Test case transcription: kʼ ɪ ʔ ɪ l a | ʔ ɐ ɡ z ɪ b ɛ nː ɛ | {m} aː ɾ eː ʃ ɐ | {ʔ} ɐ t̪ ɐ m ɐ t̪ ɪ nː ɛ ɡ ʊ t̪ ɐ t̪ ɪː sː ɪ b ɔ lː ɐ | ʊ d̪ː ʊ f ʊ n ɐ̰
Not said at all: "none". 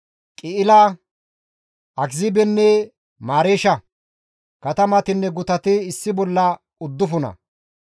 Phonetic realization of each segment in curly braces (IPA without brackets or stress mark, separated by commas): m, k